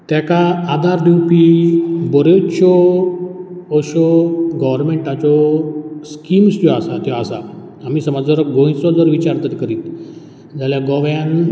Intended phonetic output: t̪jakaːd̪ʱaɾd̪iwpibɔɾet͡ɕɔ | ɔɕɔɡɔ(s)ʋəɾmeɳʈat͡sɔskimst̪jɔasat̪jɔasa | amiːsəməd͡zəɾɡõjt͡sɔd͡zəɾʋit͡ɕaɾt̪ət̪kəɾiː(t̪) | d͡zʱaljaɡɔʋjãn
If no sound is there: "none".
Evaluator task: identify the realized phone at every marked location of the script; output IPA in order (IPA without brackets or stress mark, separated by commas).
none, t̪